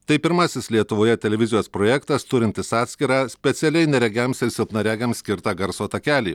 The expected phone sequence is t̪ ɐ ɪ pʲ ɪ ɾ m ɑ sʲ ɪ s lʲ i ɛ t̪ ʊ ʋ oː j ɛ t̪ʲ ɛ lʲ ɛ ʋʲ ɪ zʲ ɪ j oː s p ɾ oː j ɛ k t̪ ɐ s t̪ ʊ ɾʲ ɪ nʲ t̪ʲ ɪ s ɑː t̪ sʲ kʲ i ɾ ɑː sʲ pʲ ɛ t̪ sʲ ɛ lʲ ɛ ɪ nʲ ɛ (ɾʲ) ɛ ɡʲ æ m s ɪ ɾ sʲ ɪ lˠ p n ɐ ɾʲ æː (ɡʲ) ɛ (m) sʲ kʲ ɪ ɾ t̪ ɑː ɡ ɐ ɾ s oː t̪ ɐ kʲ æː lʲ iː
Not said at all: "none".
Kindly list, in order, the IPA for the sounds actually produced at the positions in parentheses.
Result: ɾʲ, ɡʲ, m

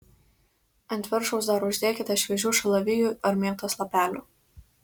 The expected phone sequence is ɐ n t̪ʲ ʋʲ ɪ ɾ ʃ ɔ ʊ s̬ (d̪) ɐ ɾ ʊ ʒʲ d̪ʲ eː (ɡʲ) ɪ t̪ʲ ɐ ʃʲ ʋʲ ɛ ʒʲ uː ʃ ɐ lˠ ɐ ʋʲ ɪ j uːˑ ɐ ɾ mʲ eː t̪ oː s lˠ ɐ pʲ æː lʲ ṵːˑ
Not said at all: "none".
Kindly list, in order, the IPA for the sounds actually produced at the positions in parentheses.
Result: d̪, kʲ

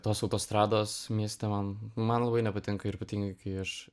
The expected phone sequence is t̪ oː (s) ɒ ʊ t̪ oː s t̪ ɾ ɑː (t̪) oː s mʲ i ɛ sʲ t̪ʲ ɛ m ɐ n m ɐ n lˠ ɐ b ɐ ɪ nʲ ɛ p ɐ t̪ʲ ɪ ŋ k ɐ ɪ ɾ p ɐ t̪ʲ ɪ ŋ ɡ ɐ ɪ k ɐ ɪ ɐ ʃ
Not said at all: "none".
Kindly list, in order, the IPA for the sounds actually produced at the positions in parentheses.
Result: s, d̪

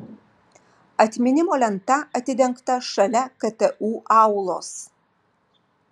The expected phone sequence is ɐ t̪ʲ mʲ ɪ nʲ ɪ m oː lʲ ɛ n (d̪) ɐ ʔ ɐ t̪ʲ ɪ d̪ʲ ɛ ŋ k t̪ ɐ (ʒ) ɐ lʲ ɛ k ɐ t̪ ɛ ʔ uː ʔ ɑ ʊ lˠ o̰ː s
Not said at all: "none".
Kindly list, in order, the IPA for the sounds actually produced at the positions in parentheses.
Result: t̪, ʃ

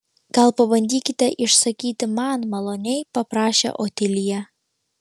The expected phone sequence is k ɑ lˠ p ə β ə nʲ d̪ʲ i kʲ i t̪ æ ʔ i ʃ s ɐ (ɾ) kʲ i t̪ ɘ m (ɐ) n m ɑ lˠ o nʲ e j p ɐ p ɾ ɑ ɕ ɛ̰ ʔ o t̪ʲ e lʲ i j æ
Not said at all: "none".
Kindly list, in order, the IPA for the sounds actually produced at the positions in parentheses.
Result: none, ɑ

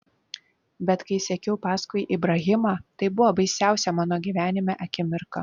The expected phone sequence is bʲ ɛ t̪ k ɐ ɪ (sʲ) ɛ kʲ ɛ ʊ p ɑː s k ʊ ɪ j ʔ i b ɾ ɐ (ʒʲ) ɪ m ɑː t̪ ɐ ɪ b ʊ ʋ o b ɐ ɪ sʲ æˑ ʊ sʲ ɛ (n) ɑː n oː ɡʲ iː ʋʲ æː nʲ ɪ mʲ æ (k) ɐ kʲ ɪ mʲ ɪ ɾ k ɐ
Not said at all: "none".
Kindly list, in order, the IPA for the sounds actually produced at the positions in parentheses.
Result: sʲ, ɣʲ, m, ʔ

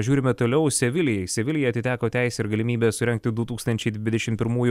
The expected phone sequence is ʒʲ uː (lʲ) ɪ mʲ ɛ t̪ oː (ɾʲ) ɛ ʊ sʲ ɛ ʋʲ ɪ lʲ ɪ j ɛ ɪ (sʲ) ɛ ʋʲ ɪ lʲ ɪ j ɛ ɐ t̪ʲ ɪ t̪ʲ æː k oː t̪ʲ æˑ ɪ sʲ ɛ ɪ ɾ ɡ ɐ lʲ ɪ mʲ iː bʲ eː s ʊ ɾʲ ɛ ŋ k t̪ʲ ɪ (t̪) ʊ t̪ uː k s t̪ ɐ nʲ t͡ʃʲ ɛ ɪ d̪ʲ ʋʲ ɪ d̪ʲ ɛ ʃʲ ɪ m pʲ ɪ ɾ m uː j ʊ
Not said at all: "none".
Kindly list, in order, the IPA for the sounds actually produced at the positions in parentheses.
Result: ɾʲ, lʲ, sʲ, d̪

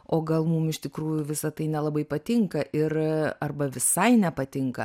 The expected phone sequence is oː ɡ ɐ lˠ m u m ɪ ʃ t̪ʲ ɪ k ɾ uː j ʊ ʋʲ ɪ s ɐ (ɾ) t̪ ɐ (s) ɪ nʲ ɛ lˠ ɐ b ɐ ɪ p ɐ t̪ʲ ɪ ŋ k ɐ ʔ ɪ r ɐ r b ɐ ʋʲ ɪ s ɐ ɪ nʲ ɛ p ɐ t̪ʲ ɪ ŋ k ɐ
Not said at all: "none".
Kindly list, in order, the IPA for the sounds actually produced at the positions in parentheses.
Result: none, none

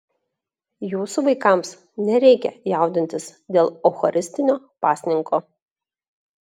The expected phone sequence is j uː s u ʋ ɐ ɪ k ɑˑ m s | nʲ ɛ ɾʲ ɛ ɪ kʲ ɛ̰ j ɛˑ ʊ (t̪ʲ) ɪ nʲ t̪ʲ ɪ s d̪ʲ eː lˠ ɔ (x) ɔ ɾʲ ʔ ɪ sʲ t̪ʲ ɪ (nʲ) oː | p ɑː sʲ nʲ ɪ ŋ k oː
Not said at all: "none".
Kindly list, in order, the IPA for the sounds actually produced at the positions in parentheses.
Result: d̪ʲ, x, nʲ

